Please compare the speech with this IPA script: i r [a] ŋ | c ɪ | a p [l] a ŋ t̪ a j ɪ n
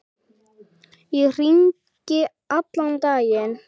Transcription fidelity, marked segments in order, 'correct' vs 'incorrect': incorrect: i, correct

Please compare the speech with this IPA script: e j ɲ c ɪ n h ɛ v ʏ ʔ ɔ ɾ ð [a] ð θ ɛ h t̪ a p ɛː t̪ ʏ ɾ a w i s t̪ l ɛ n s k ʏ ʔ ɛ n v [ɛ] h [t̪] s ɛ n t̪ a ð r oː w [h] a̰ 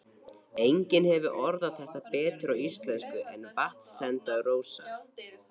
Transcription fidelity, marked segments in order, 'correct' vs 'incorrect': correct, incorrect: a, correct, incorrect: s

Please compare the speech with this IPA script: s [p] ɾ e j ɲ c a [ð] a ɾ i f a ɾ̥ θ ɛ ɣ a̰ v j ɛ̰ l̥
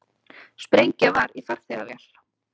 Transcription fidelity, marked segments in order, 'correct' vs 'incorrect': correct, incorrect: v

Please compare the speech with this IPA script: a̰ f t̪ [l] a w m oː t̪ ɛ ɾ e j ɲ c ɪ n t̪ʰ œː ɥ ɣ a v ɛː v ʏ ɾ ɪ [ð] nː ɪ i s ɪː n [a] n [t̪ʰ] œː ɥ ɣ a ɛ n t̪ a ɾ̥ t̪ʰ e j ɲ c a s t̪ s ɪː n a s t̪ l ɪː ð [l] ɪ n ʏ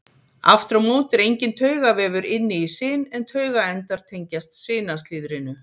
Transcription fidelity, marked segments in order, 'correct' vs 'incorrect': incorrect: ɾ, incorrect: none, incorrect: ɛ, correct, incorrect: ɾ

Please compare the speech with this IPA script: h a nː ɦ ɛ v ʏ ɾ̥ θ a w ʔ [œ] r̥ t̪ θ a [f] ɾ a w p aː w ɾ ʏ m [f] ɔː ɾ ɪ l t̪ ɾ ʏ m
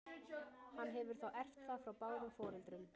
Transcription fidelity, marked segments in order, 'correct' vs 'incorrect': incorrect: ɛ, correct, correct

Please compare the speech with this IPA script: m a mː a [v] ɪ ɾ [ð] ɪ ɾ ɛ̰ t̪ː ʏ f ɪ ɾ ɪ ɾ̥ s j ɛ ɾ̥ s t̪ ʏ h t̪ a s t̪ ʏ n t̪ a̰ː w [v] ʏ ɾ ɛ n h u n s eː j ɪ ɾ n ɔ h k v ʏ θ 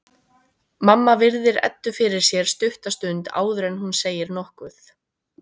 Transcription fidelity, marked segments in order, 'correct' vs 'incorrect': correct, correct, incorrect: ð

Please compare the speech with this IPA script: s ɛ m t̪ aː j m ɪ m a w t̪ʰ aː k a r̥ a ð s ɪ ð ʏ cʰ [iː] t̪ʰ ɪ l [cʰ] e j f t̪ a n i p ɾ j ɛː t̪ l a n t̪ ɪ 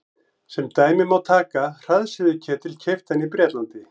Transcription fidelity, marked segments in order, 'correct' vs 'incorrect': incorrect: ɛː, correct

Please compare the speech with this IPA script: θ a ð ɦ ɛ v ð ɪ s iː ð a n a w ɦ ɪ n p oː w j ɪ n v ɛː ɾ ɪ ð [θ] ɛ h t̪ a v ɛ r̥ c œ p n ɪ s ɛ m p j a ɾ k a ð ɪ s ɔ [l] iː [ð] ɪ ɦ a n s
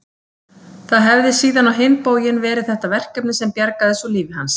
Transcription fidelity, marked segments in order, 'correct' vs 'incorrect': correct, correct, incorrect: v

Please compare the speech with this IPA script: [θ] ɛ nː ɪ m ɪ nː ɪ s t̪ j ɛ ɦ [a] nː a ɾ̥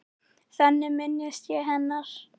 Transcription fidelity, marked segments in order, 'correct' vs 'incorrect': correct, incorrect: ɛ

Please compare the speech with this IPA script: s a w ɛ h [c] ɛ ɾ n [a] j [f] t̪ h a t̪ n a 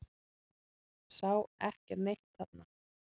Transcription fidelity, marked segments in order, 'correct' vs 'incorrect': correct, incorrect: e, incorrect: h

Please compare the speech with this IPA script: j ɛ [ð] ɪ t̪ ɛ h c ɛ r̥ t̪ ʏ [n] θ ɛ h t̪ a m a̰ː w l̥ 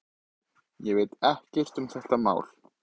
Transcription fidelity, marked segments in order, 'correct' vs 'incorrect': incorrect: v, incorrect: m

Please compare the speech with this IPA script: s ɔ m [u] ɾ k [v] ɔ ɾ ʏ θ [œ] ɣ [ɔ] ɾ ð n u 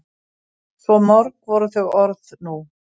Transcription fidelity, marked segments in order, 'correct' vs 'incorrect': incorrect: ɔ, correct, correct, correct

